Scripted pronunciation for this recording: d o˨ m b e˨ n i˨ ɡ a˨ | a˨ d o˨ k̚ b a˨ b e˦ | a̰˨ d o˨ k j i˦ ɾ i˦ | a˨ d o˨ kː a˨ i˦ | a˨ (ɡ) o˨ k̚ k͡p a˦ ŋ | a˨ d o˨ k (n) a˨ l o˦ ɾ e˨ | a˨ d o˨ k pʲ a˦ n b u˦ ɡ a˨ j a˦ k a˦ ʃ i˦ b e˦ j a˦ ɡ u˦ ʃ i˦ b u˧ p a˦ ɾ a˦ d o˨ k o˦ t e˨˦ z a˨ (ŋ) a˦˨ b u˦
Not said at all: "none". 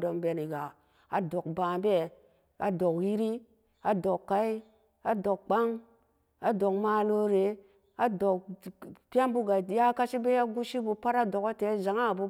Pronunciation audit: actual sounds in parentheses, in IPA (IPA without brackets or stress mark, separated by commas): d, m, ŋ